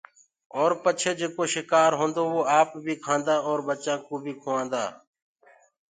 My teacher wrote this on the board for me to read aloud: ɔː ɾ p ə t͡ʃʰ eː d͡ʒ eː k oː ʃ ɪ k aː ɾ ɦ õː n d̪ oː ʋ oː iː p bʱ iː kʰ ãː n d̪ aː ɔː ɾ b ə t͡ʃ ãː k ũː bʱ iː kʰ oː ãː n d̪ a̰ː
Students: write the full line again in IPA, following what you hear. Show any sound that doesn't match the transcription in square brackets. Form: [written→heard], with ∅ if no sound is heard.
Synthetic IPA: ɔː ɾ p ə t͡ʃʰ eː d͡ʒ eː k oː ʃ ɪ k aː ɾ ɦ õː n d̪ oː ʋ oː [iː→aː] p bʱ iː kʰ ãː n d̪ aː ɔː ɾ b ə t͡ʃ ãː k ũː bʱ iː kʰ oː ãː n d̪ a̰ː